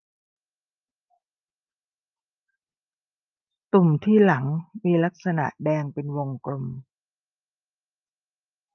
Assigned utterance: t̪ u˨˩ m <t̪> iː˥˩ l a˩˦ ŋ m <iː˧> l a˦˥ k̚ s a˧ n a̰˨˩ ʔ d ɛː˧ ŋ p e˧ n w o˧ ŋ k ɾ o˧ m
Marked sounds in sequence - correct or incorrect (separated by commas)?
incorrect, correct